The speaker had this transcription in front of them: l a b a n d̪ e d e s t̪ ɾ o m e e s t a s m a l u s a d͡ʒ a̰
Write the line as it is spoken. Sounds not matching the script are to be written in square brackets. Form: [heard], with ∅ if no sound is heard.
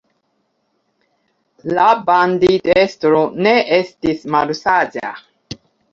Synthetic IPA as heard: l a b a n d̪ [i] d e s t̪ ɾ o [n] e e s t [i] s m a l u s a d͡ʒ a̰